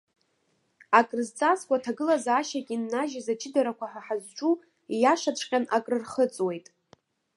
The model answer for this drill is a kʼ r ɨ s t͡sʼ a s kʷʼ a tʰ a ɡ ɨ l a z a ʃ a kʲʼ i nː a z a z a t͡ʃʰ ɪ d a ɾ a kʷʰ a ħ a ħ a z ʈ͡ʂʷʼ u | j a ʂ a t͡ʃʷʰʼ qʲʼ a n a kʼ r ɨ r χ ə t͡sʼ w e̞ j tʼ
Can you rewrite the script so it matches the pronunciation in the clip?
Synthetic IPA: a kʼ r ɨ z t͡sʼ a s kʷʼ a tʰ a ɡ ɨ l a z a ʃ a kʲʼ i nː a ʒ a z a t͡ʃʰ ɪ d a ɾ a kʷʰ a ħ a ħ a z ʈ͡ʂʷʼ u | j a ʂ a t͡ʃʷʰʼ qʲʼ a n a kʼ r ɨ r χ ə t͡sʼ w e̞ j tʼ